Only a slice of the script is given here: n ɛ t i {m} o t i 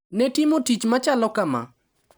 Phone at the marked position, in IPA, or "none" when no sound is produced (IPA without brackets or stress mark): m